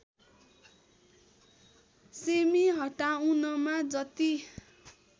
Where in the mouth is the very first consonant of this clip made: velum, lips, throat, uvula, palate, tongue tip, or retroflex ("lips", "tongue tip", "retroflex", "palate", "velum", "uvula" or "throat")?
tongue tip